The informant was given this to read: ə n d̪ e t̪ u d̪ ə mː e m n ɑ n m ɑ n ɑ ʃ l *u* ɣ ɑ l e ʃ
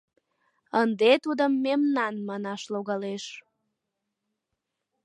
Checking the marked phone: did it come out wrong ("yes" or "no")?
yes